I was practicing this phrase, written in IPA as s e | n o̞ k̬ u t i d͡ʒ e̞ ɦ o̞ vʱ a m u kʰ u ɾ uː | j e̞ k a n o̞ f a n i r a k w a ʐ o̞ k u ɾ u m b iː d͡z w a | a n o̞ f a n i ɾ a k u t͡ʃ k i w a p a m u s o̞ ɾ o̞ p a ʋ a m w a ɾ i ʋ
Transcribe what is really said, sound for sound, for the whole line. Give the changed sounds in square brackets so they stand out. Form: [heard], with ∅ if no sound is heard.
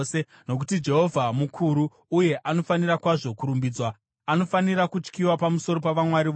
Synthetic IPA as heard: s e | n o̞ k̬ u t i d͡ʒ e̞ ɦ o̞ vʱ a m u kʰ u ɾ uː | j e̞ [ʔ] a n o̞ f a n i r a k w a ʐ o̞ k u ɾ u m b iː d͡z w a | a n o̞ f a n i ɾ a k u t͡ʃ k i w a p a m u s o̞ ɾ o̞ p a ʋ a m w a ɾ i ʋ